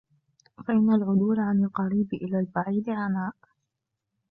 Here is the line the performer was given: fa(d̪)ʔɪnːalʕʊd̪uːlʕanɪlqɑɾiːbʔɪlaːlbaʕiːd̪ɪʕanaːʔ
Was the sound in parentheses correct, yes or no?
no